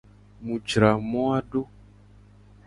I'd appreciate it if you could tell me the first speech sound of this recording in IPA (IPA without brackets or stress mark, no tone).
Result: m